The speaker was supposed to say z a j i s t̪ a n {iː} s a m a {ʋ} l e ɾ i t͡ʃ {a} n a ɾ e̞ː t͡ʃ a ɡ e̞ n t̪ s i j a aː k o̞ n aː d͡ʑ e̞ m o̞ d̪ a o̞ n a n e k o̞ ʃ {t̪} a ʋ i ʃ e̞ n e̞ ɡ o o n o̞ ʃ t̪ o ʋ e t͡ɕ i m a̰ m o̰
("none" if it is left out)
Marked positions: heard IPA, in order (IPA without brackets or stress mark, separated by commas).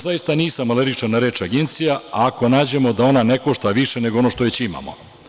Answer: iː, none, a, t̪